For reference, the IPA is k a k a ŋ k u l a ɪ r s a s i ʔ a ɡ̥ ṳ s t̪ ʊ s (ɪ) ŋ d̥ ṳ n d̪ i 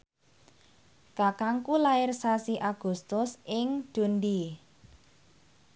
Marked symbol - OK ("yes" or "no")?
yes